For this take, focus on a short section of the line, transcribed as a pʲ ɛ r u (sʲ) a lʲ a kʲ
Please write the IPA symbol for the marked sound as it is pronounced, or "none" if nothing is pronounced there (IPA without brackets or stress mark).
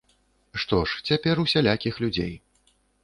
sʲ